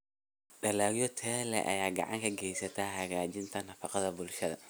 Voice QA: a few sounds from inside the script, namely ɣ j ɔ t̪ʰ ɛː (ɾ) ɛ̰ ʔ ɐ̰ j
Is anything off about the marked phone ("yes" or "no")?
yes